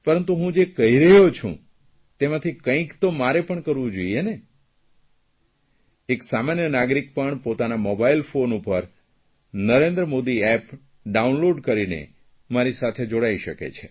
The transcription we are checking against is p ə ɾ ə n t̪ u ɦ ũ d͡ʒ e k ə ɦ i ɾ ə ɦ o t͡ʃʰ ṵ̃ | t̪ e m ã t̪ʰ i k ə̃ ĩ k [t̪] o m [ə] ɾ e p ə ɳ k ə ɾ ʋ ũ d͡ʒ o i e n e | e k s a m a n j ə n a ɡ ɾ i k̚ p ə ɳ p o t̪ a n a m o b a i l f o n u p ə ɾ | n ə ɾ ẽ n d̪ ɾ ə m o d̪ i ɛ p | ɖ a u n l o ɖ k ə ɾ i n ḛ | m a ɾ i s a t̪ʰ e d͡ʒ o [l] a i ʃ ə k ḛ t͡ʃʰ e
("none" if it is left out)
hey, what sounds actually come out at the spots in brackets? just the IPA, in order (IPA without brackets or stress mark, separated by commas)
t̪, a, ɽ